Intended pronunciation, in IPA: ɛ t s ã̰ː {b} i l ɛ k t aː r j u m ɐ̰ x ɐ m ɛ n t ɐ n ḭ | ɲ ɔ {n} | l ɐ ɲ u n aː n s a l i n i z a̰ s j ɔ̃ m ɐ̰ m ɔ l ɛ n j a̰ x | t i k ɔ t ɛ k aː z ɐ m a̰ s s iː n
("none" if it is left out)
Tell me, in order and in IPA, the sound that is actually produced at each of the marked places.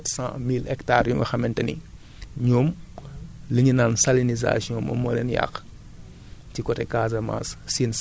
m, m

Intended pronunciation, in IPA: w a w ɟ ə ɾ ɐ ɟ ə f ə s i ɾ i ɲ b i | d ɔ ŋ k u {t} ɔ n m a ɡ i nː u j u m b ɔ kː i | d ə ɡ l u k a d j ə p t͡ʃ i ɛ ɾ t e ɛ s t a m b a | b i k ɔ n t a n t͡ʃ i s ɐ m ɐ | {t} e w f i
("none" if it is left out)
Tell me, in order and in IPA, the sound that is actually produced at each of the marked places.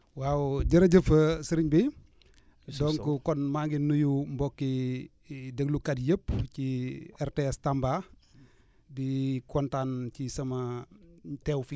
k, t

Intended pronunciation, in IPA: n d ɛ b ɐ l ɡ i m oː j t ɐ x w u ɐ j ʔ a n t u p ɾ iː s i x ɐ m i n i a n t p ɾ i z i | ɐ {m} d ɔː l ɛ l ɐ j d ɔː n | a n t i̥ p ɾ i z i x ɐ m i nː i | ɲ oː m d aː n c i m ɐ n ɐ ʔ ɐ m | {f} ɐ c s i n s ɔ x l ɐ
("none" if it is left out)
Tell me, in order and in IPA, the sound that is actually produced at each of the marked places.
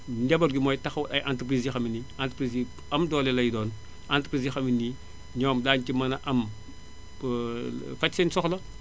m, f

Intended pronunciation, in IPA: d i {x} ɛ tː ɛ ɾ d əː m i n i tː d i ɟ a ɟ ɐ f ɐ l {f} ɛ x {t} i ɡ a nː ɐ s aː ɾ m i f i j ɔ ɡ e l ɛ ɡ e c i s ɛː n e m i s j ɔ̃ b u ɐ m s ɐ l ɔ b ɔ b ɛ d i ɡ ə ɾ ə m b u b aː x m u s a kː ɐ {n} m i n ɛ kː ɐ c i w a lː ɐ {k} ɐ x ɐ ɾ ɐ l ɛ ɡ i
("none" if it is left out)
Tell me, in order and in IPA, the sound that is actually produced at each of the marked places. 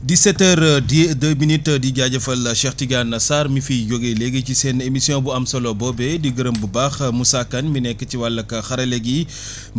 s, ʃ, t, n, k

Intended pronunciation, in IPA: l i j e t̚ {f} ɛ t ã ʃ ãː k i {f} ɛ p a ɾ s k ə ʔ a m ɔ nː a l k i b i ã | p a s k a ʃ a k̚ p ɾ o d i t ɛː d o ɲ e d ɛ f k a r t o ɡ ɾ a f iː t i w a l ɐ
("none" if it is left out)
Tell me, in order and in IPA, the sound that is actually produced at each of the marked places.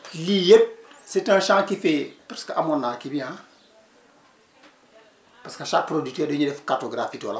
s, f

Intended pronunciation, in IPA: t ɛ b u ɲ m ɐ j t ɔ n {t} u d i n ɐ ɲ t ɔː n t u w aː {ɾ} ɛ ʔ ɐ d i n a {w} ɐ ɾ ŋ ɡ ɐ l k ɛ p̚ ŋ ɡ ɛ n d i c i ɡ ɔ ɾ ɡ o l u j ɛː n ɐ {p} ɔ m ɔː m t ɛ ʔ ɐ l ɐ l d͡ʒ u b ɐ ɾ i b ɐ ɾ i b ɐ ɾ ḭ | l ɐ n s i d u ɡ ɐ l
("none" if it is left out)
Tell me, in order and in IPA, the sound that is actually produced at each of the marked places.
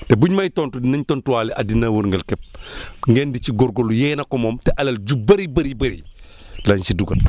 t, l, w, k

